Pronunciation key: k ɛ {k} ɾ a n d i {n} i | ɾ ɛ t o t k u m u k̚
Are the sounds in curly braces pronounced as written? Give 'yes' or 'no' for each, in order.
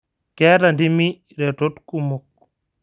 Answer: no, no

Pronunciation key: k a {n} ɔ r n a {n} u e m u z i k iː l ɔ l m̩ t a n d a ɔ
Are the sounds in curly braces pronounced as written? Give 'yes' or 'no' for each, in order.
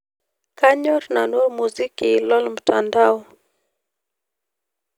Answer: no, yes

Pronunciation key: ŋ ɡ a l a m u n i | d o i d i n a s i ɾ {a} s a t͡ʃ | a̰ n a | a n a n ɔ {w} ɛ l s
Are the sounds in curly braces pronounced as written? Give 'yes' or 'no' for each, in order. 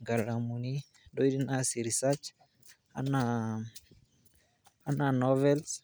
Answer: no, no

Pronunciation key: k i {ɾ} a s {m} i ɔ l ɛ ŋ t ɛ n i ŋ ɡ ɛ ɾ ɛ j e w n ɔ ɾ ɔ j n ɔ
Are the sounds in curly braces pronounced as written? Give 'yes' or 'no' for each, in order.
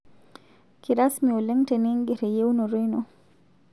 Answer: yes, yes

